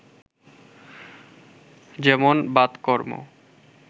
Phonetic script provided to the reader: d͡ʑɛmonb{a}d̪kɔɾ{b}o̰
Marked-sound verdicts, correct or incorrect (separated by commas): correct, incorrect